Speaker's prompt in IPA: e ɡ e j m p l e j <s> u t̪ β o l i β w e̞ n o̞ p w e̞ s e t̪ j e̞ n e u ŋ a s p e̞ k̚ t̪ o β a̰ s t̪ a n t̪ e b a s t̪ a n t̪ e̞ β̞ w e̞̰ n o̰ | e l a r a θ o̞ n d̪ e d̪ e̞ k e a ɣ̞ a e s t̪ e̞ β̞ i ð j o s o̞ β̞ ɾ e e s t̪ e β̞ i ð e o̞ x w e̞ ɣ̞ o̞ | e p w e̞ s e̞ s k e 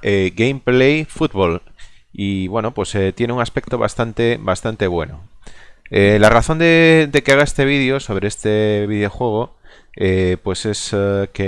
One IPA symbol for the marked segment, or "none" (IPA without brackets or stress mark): f